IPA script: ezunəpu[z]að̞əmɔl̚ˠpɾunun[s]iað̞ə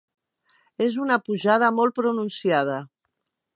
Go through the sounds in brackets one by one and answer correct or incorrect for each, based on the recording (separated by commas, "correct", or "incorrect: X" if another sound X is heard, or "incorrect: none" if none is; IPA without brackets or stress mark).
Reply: incorrect: ʒ, correct